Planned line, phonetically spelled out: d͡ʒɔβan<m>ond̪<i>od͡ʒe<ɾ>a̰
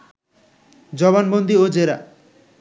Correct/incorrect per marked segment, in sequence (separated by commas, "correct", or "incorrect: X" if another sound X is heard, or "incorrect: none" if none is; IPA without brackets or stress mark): incorrect: b, correct, correct